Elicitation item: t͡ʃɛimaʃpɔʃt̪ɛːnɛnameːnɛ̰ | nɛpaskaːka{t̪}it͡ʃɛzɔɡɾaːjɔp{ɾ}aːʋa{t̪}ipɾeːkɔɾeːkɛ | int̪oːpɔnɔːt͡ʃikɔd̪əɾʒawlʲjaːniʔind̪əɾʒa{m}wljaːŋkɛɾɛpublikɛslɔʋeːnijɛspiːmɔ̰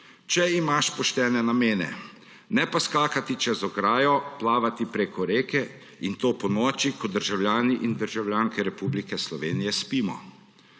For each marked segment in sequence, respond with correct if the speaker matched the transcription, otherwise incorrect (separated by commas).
correct, incorrect, correct, incorrect